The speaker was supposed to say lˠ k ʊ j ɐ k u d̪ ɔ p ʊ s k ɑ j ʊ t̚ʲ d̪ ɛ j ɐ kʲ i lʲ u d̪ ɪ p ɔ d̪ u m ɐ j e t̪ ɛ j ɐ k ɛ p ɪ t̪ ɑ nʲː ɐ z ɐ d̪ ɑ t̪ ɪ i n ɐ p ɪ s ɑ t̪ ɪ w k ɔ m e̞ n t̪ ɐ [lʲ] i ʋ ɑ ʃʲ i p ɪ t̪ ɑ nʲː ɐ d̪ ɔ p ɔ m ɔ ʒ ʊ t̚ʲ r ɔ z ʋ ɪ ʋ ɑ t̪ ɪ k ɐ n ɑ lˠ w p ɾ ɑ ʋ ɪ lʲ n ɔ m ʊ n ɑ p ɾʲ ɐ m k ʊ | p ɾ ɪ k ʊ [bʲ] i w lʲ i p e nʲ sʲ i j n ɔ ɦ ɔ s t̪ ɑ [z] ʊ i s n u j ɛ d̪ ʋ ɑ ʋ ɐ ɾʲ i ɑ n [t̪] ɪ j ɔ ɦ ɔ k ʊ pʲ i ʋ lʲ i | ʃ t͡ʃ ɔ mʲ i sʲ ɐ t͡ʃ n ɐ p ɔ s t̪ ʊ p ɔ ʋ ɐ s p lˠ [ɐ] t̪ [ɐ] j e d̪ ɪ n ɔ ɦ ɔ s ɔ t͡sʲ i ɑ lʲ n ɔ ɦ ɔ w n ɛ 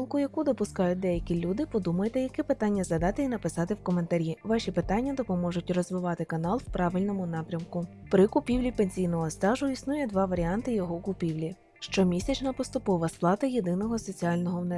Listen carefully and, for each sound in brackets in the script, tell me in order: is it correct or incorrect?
incorrect: ɾʲ, incorrect: pʲ, incorrect: ʒ, correct, incorrect: ɑ, correct

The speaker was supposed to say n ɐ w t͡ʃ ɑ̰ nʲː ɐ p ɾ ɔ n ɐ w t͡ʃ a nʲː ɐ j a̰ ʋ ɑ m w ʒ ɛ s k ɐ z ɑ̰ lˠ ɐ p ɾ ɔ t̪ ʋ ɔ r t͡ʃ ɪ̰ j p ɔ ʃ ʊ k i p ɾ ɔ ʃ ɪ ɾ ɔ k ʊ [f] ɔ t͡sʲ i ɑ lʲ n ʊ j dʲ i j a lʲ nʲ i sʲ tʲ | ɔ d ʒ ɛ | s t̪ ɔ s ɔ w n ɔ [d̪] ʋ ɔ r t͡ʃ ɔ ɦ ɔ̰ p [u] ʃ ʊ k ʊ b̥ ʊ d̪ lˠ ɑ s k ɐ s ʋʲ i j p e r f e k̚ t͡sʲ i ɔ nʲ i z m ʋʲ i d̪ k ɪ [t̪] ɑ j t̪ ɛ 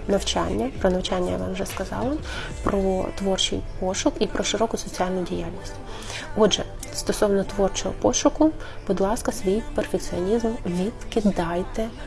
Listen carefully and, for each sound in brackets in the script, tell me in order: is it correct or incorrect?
incorrect: s, incorrect: t̪, incorrect: ɔ, incorrect: d̪

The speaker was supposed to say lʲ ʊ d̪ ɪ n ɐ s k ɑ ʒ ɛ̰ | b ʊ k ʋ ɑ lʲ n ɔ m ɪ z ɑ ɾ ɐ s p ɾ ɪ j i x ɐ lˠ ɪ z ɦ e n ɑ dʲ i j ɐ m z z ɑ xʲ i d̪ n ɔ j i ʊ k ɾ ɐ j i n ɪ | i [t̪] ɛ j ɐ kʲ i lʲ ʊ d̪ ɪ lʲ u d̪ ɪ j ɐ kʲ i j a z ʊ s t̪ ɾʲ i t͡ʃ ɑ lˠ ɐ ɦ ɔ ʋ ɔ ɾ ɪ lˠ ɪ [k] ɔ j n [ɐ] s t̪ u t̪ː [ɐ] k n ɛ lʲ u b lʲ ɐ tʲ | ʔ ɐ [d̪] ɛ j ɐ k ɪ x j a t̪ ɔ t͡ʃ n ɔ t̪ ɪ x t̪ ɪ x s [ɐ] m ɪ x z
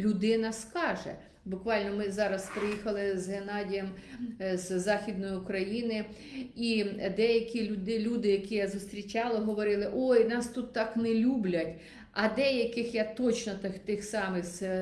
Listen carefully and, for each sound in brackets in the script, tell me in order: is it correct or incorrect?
incorrect: d̪, incorrect: ʔ, incorrect: ɑ, incorrect: ɑ, correct, incorrect: ɑ

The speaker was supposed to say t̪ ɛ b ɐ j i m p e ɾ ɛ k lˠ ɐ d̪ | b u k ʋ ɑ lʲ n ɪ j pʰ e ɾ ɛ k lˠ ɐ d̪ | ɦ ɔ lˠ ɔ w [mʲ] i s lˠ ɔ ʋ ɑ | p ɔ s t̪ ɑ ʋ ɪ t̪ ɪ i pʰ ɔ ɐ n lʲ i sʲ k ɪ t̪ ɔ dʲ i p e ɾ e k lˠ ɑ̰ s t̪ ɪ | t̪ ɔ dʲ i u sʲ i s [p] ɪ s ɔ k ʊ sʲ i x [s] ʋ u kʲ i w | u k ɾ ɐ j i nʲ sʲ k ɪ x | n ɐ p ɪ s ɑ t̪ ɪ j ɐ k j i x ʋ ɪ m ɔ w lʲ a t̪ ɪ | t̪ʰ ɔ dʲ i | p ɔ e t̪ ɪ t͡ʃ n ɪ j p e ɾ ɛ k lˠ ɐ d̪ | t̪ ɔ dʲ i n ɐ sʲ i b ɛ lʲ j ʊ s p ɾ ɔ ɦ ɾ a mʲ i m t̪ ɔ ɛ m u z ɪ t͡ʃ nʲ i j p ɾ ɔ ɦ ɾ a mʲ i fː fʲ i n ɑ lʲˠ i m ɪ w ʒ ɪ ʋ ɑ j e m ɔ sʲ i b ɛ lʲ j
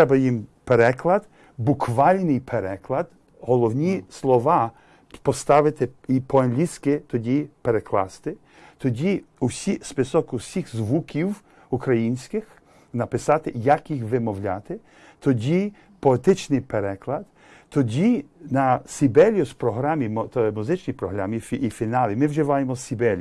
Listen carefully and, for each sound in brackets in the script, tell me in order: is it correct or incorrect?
incorrect: nʲ, correct, incorrect: z

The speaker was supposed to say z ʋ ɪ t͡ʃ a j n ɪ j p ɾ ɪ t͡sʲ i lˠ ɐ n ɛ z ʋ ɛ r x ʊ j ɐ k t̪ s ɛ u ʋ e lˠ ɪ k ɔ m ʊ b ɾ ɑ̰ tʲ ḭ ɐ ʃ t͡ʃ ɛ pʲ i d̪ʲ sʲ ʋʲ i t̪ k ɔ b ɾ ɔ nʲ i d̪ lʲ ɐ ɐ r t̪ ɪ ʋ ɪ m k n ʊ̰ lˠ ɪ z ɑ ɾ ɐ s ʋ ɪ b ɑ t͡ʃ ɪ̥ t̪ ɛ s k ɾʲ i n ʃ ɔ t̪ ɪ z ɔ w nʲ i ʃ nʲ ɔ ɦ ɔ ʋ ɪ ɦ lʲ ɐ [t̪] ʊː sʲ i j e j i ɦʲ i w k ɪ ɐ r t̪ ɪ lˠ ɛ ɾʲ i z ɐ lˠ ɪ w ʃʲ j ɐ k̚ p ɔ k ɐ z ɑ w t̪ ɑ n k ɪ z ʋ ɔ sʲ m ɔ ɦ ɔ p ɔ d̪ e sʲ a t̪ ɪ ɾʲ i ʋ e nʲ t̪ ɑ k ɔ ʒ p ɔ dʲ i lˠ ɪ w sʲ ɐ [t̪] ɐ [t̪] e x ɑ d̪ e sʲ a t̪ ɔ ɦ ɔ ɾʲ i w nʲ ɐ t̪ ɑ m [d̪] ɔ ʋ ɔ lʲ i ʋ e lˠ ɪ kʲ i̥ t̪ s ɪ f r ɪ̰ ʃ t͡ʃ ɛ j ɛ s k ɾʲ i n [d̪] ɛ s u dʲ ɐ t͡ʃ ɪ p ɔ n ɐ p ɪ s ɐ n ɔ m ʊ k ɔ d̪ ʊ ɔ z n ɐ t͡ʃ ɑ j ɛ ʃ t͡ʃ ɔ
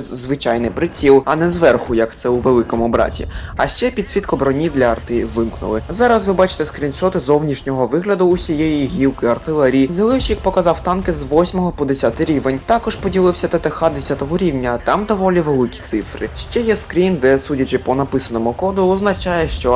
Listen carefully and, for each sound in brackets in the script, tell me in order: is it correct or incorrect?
incorrect: d̪, correct, correct, correct, correct

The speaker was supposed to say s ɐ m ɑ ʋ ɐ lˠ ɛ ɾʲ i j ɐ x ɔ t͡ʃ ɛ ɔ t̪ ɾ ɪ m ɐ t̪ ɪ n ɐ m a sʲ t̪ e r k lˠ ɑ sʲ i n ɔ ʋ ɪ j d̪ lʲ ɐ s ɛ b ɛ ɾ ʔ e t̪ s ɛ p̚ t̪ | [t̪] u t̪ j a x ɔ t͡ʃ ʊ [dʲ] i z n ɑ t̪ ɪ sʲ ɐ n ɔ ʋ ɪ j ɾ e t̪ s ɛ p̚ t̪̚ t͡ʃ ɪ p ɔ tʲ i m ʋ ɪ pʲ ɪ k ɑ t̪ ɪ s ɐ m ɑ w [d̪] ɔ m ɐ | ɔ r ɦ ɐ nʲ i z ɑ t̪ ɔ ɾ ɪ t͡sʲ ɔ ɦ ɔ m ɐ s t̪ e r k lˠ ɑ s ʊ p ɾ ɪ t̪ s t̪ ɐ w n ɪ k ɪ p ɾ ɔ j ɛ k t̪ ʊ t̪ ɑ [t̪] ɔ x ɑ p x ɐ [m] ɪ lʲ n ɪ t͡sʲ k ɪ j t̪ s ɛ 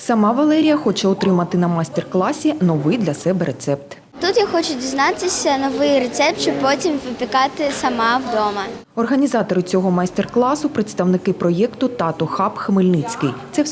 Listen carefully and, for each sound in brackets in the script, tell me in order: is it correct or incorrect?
correct, correct, correct, correct, correct

